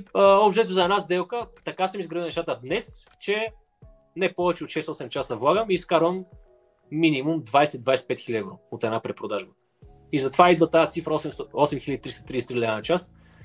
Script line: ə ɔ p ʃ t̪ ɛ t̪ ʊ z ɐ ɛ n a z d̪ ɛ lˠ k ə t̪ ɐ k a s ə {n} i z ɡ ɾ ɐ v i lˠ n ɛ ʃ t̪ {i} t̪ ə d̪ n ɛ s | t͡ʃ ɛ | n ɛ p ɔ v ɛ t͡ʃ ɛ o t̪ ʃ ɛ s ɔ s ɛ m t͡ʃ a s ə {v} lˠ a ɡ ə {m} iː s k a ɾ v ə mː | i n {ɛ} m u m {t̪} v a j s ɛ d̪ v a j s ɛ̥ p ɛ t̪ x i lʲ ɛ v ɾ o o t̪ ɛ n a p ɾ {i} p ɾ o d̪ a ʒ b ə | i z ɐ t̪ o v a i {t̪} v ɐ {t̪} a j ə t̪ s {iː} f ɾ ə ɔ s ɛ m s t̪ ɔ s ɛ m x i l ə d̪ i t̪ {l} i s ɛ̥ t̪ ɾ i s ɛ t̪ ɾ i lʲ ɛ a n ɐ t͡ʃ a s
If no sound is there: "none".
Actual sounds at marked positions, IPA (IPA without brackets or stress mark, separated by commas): m, a, v, m, i, d̪, ɛ, d̪, t̪, i, ɾ